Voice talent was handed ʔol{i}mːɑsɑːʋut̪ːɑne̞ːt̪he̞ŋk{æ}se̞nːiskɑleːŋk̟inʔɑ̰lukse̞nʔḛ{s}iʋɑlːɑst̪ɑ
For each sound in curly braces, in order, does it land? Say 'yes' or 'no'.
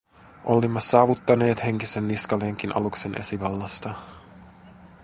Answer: yes, no, yes

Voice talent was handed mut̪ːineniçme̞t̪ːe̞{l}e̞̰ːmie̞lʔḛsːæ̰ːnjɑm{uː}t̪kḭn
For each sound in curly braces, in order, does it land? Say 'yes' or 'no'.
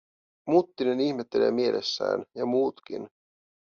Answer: yes, yes

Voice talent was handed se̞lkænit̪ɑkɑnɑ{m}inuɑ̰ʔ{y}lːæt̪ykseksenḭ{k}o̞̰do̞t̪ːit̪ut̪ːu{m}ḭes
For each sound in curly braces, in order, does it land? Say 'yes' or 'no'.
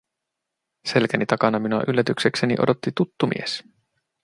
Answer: yes, yes, no, yes

